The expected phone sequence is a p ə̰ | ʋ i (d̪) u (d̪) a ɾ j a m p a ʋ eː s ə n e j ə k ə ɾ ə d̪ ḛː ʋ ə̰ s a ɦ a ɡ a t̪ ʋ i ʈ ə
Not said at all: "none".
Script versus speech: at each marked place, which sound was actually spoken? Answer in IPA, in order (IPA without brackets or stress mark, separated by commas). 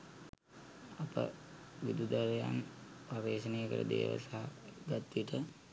d̪, d̪